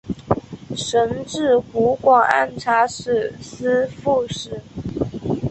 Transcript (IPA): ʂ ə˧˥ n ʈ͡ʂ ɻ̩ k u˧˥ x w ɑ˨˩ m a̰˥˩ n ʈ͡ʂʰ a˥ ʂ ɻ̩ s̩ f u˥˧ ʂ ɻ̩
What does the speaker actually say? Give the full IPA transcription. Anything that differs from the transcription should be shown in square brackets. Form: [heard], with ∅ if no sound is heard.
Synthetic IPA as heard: ʂ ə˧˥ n ʈ͡ʂ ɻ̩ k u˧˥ [k] w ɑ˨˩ [ŋ] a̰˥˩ n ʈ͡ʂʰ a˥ ʂ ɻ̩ s̩ f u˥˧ ʂ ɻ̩